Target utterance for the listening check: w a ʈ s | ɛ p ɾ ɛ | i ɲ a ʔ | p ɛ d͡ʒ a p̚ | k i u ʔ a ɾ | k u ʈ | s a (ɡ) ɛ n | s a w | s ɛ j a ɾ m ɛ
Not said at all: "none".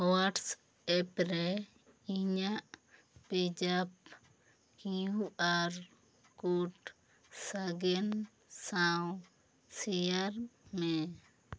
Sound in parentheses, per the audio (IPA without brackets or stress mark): ɡ